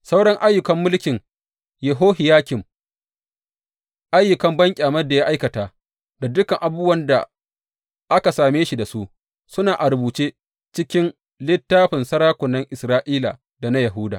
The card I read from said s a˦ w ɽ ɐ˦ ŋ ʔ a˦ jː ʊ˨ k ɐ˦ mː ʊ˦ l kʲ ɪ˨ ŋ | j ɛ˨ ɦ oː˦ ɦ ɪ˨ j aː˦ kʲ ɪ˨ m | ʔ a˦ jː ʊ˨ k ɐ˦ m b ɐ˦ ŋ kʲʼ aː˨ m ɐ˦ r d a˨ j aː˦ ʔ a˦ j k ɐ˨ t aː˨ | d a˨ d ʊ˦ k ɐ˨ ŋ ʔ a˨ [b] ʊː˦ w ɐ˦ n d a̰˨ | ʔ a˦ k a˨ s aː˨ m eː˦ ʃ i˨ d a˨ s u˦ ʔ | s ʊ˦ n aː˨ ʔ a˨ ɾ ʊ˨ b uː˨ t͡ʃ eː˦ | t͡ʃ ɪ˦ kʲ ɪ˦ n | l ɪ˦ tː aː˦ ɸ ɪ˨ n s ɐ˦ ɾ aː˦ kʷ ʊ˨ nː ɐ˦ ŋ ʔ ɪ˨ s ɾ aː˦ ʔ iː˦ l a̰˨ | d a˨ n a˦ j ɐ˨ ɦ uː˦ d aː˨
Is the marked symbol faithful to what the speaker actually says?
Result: yes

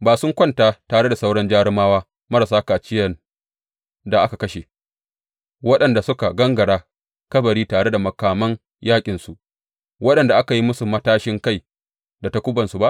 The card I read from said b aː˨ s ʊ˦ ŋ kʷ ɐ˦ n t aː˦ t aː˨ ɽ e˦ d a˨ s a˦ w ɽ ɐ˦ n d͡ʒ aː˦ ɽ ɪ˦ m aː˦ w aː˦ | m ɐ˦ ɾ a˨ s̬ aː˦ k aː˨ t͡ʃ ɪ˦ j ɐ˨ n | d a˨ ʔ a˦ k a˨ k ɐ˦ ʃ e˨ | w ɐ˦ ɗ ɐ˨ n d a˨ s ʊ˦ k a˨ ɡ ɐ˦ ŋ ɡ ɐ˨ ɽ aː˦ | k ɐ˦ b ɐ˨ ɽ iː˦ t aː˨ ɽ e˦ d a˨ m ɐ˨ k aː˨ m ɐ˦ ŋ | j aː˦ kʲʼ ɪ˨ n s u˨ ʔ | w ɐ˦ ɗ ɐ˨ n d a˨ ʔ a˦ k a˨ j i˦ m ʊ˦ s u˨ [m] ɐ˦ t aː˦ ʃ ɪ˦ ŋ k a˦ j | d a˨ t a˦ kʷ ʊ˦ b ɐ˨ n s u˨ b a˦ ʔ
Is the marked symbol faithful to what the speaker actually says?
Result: yes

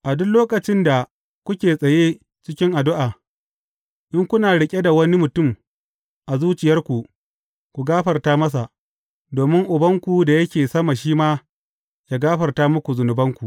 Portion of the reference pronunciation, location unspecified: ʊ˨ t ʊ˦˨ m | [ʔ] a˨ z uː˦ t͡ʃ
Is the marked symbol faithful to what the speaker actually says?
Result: yes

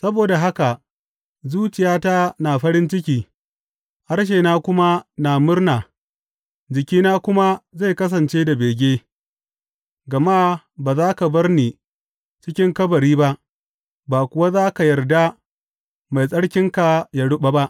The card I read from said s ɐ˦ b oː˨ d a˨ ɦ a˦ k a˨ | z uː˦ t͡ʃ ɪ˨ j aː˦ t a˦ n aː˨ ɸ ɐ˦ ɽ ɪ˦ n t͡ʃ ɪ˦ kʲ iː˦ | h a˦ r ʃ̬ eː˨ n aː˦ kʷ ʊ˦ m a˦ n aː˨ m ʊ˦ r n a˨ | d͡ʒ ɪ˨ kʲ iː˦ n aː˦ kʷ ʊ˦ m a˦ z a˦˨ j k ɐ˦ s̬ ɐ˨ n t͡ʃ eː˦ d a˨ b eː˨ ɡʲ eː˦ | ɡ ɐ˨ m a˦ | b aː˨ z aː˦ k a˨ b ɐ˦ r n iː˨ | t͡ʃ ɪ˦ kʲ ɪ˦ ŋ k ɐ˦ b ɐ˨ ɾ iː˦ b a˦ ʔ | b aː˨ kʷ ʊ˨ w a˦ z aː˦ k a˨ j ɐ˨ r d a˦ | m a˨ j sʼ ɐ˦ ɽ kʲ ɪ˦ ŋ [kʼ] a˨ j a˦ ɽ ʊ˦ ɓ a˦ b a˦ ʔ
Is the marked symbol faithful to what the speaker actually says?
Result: no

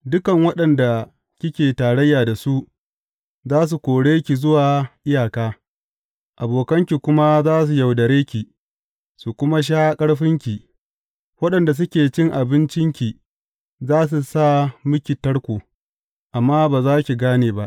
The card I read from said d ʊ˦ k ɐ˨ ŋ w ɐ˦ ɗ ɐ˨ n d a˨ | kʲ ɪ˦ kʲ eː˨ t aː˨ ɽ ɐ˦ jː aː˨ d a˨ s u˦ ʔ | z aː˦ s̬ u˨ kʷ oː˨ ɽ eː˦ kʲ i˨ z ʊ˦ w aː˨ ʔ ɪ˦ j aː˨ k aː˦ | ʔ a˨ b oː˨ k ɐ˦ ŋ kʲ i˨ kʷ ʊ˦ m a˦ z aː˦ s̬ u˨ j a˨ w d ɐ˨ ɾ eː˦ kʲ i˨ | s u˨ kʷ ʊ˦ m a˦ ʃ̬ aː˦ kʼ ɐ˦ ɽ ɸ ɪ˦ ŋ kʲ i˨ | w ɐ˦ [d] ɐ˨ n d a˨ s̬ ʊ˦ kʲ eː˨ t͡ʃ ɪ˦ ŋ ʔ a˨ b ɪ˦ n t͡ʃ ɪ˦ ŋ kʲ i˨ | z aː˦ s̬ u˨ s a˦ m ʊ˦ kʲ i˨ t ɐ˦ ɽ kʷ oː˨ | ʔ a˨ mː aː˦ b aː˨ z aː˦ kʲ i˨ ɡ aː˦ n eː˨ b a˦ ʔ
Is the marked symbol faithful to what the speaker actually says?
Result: no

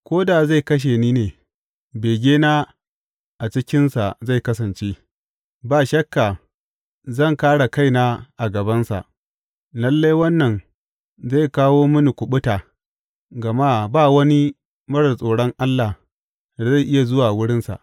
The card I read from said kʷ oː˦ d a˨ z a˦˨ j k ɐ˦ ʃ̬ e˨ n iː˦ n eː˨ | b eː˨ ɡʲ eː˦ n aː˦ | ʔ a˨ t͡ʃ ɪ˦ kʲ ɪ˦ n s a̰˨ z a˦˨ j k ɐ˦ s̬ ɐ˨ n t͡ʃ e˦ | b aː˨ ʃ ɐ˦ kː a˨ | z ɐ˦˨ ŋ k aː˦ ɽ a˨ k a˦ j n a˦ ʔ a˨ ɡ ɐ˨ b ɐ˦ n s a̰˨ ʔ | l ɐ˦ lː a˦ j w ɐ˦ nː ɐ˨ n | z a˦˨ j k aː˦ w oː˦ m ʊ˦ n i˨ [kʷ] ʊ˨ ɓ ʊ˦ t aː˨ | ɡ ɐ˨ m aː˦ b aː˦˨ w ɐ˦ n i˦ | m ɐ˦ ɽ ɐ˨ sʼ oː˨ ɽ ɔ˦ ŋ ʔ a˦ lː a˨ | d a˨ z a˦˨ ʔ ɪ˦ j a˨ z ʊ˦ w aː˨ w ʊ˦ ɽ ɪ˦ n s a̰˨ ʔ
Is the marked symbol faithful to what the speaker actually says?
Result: yes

